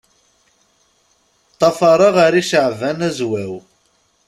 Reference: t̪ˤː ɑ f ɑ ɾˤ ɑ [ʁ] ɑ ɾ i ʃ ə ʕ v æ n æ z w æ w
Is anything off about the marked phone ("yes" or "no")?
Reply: no